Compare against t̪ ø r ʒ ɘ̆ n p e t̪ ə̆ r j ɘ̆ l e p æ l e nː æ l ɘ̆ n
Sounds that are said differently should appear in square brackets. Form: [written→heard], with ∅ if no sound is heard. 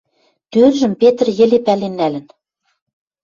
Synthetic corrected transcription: t̪ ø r ʒ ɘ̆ [n→m] p e t̪ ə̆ r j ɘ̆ l e p æ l e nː æ l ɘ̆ n